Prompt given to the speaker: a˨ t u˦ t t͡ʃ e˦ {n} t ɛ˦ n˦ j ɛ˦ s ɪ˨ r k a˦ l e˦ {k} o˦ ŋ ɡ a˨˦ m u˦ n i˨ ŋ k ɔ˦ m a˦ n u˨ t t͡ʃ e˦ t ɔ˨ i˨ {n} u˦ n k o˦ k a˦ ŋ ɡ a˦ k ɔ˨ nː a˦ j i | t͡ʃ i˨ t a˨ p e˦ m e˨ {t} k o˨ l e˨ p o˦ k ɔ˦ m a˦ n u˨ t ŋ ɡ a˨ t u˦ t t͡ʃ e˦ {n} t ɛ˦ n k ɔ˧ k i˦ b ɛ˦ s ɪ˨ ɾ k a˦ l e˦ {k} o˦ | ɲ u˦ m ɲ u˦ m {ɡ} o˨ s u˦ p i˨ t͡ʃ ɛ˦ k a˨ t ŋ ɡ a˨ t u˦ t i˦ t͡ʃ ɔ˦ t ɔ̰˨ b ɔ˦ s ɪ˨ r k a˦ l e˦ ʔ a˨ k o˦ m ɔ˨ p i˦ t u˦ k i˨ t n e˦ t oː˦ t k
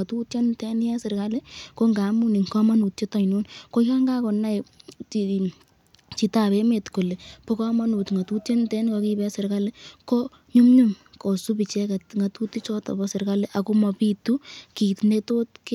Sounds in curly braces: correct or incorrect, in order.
correct, correct, correct, correct, correct, correct, incorrect: k

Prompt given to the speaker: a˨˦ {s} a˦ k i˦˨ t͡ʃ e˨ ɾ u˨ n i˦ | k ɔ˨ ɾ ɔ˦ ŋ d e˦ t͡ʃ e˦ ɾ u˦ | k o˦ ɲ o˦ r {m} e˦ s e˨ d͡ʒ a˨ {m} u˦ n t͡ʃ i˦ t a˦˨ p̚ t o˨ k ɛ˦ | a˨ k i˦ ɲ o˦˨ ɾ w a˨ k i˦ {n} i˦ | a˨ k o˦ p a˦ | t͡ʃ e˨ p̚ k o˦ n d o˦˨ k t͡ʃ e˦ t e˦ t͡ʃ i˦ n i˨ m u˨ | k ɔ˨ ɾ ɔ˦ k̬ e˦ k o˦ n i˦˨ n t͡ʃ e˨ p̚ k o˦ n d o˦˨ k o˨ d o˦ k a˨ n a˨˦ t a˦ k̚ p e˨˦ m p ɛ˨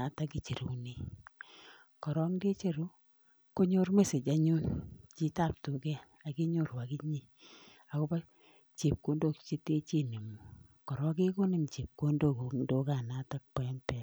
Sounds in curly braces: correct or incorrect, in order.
incorrect: t, correct, incorrect: ɲ, incorrect: ɲ

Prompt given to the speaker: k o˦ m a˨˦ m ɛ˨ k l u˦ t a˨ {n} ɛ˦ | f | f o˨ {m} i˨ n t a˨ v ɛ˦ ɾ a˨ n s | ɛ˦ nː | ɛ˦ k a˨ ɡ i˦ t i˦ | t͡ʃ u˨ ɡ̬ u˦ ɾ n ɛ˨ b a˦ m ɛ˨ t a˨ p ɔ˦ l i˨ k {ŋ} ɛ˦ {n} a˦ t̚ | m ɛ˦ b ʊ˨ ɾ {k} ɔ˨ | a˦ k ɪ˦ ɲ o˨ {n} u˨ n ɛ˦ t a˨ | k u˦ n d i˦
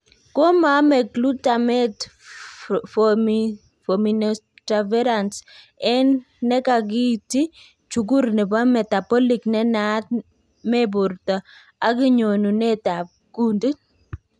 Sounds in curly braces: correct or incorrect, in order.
incorrect: m, correct, incorrect: n, correct, incorrect: t, correct

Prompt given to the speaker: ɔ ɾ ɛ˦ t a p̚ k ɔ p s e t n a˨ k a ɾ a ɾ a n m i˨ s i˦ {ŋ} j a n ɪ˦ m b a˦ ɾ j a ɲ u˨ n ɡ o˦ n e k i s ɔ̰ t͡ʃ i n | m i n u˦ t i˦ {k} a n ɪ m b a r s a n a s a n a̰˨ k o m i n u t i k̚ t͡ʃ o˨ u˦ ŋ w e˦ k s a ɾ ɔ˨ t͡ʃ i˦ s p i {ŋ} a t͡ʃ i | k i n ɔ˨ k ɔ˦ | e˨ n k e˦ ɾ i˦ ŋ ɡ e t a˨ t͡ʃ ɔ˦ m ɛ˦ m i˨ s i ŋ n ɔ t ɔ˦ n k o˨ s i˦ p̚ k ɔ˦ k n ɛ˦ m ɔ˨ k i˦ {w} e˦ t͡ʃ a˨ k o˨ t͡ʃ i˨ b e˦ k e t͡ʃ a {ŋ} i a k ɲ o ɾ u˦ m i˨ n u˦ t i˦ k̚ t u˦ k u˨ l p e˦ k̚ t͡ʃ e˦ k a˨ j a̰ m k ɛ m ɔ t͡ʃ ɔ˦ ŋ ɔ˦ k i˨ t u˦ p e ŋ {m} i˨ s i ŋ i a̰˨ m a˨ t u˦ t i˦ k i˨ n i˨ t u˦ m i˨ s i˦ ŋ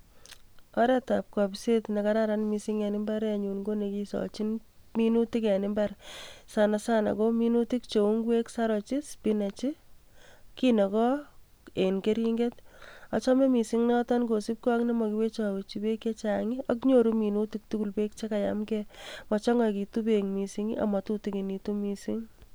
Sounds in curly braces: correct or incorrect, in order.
correct, correct, incorrect: n, correct, correct, correct

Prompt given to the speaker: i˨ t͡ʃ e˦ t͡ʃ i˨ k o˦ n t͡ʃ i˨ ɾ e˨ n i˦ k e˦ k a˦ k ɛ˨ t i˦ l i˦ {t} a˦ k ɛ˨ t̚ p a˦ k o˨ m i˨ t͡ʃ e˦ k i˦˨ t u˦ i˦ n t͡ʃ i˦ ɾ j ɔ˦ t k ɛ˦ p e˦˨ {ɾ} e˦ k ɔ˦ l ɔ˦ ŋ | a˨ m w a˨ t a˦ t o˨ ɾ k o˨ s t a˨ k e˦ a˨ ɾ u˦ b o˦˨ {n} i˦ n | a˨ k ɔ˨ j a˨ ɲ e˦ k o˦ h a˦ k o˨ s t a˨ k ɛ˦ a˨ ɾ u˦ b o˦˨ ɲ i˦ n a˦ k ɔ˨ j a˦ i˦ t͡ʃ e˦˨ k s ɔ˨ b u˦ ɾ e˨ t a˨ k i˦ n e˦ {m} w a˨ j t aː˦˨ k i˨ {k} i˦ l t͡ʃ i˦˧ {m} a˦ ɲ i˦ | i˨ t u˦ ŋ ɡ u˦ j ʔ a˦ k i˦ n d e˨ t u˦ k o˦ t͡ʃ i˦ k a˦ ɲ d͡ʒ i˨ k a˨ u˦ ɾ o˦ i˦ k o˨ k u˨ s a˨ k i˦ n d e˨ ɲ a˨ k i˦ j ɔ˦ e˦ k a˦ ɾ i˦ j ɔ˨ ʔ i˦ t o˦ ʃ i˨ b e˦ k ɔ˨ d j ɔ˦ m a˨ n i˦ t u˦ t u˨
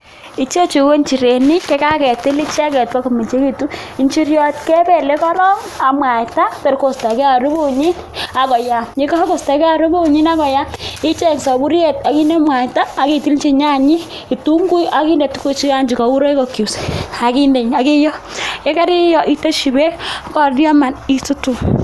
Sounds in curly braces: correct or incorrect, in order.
incorrect: t͡ʃ, incorrect: l, incorrect: ɲ, correct, incorrect: t, incorrect: ɲ

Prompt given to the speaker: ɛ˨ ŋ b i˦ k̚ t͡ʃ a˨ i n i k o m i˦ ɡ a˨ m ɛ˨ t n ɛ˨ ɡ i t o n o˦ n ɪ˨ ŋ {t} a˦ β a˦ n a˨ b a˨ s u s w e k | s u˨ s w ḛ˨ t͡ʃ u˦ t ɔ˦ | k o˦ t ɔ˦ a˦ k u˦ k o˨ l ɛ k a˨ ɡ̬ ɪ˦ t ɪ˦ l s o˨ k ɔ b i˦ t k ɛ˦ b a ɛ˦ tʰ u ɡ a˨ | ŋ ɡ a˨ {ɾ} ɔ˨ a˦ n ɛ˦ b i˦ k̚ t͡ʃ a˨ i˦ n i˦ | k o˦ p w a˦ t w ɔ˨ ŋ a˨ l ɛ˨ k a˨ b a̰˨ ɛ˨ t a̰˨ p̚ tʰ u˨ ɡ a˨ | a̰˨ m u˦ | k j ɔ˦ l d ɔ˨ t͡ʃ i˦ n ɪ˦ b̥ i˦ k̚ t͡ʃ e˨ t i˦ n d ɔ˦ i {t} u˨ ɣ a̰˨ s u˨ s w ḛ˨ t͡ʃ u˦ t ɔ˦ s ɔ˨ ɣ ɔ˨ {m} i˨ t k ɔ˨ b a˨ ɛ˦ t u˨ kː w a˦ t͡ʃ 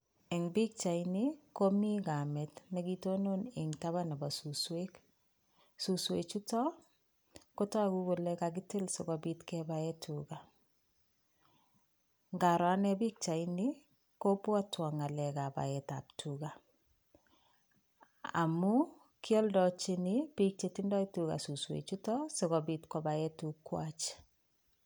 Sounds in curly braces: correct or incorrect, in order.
correct, correct, correct, incorrect: b

